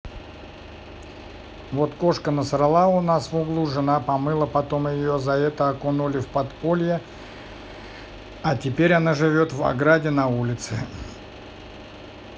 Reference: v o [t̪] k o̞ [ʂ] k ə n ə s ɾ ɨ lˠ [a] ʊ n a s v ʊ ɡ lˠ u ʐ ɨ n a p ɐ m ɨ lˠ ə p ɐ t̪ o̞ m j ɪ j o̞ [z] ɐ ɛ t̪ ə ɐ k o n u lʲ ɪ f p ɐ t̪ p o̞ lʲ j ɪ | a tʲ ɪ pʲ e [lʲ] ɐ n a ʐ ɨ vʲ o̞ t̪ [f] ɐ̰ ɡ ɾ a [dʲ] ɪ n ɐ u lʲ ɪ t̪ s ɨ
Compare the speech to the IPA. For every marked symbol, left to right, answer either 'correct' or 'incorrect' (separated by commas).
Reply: correct, correct, correct, correct, incorrect, incorrect, correct